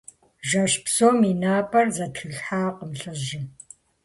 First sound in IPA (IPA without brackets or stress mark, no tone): ʒ